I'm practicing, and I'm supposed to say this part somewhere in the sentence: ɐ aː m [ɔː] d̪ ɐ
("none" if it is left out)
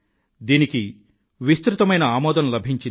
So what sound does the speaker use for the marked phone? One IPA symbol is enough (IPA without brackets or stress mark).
ɔː